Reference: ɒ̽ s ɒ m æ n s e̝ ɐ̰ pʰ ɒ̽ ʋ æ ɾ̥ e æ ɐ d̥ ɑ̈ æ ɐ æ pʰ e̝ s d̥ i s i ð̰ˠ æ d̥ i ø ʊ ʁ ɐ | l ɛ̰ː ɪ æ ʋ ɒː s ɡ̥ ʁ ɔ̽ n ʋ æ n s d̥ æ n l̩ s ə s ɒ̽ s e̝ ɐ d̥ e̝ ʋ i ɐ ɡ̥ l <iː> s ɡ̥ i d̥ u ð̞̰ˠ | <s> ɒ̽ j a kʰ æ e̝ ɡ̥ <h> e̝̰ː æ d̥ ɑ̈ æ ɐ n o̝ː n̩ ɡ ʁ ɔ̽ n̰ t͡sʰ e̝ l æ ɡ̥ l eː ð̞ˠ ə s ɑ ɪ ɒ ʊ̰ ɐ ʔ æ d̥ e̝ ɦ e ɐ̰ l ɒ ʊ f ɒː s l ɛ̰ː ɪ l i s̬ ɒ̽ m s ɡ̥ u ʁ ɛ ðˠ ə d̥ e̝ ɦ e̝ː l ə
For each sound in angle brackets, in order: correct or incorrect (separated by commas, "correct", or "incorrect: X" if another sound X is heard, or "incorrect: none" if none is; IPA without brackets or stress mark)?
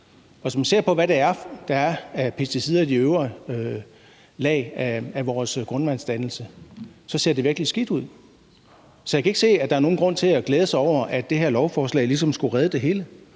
incorrect: i, correct, incorrect: s